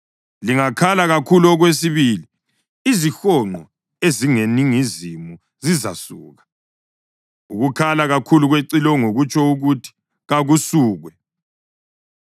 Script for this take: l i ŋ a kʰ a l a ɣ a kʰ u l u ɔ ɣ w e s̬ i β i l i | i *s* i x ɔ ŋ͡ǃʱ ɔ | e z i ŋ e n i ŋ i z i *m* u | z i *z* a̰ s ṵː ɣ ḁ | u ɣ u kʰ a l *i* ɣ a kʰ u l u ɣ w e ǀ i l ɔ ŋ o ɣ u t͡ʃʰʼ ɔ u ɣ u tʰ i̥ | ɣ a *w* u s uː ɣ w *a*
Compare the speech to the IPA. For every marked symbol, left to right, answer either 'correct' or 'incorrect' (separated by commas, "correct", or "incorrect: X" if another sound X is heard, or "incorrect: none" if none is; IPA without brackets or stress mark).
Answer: incorrect: z, correct, correct, incorrect: a, incorrect: ɣ, incorrect: ɛ